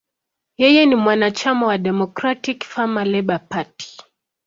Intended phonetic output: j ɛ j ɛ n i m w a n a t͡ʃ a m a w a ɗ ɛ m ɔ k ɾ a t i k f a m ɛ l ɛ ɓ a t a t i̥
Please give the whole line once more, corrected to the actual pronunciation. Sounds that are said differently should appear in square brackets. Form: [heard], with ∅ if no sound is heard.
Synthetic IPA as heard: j ɛ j ɛ n i m w a n a t͡ʃ a m a w a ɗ ɛ m ɔ k ɾ a t i k f a m [a] l ɛ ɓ a [p] a t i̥